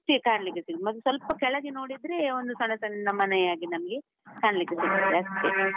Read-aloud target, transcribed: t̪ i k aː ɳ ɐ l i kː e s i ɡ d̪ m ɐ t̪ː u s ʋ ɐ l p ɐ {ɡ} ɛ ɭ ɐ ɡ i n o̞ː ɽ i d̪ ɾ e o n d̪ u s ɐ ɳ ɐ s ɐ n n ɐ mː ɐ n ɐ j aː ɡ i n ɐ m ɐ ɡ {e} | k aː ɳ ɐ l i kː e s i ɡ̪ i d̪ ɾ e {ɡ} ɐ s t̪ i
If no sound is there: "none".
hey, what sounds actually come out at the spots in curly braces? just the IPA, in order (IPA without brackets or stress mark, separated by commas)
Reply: k, e, none